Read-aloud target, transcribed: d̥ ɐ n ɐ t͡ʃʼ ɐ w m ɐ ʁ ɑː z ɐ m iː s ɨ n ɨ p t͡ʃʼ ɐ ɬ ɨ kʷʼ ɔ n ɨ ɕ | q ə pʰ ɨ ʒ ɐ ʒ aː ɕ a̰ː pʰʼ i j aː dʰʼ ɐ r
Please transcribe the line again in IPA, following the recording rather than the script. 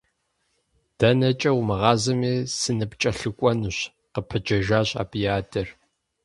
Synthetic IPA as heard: d̥ ɐ n ɐ t͡ʃʼ ɐ w m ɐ ʁ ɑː z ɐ m iː s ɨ n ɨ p t͡ʃʼ ɐ ɬ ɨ kʷʼ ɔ n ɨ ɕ | q ə pʰ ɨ d͡ʒ ɐ ʒ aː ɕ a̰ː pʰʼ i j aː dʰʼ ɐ r